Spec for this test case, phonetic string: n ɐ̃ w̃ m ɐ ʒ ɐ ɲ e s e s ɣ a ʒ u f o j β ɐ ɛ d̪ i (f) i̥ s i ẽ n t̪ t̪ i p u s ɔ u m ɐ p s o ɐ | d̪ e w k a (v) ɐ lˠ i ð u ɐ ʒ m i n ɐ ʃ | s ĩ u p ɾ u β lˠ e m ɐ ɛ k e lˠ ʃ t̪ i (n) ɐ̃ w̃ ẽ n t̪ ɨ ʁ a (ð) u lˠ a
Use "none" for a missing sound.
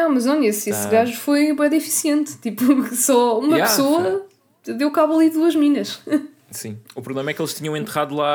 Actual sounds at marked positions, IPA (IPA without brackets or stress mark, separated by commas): f, β, ɲ, ð